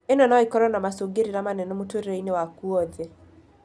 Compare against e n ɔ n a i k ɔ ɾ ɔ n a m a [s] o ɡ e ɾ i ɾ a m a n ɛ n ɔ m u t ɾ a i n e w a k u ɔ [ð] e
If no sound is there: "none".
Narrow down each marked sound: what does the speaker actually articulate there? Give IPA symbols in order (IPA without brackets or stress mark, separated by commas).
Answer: s, ð